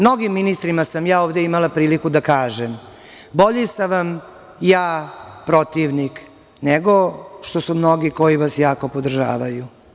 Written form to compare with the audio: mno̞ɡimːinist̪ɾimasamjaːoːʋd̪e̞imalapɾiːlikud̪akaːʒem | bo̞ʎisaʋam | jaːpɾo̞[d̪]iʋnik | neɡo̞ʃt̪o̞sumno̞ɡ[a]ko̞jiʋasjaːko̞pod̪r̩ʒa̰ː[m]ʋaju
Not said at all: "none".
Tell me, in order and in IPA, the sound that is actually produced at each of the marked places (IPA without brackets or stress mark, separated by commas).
t̪, i, none